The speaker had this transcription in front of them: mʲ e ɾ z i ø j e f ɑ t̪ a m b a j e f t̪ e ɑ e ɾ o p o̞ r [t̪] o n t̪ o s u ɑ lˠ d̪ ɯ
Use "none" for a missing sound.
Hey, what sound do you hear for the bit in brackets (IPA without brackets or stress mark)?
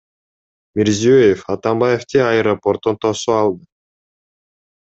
t̪